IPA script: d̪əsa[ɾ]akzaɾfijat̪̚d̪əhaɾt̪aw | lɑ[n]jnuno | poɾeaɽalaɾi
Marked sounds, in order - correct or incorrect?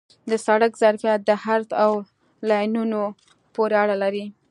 incorrect: ɽ, incorrect: none

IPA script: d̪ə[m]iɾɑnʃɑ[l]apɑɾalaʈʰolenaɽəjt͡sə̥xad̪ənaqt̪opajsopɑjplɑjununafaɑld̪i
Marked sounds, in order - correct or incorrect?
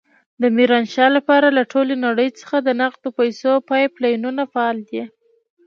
correct, correct

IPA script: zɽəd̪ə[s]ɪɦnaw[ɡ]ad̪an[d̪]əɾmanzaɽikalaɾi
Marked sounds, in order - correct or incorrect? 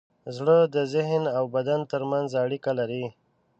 incorrect: z, incorrect: b, incorrect: t̪

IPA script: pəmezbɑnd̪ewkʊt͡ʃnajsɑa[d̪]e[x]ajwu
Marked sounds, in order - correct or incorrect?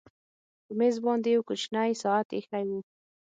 incorrect: t̪, correct

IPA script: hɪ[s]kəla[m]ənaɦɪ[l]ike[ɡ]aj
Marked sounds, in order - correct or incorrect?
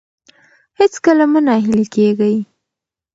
incorrect: t͡s, correct, correct, correct

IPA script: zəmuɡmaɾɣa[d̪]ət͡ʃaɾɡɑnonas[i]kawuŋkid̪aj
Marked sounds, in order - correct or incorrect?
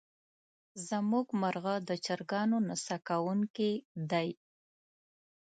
correct, incorrect: a

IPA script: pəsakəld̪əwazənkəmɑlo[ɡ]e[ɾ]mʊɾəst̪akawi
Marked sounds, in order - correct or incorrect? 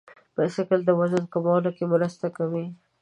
incorrect: k, incorrect: none

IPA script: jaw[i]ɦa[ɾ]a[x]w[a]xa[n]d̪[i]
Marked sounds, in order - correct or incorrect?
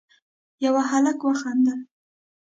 incorrect: a, incorrect: l, incorrect: k, correct, correct, incorrect: a

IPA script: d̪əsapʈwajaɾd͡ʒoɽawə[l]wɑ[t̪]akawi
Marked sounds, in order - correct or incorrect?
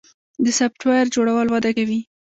correct, incorrect: d̪

